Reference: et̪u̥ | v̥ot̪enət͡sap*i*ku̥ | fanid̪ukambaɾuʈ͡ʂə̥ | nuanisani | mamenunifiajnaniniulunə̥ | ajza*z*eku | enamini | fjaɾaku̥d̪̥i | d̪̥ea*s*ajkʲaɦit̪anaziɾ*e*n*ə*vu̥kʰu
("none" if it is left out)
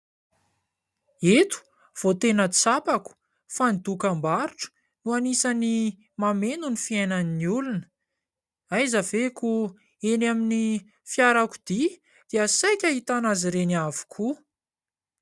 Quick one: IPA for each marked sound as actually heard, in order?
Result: a, v, s, e, a

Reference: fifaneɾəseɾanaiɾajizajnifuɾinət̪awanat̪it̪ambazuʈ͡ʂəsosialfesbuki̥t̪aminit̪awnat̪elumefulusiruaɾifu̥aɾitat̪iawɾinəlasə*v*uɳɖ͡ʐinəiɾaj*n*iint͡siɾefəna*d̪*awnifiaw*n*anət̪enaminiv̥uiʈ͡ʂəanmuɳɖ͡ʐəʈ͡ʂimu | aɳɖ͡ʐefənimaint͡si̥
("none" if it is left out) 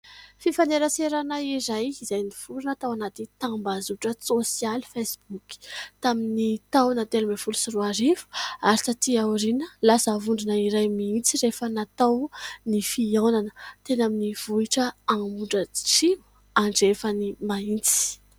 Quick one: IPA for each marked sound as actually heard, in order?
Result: v, m, t̪, n

